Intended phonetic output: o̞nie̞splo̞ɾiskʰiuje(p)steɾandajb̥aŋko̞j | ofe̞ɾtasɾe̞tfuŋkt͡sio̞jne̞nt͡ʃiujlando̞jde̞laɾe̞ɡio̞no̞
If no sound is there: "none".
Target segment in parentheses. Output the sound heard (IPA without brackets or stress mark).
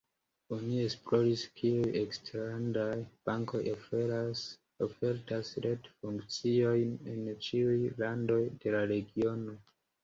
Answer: k